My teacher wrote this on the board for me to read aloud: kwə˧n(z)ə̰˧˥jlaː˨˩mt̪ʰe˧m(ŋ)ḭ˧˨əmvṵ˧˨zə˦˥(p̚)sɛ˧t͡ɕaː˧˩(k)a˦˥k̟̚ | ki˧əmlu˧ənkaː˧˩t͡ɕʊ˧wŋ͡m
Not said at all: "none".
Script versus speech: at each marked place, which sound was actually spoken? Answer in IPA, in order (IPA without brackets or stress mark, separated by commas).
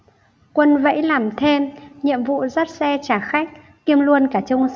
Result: v, ɲ, t̚, x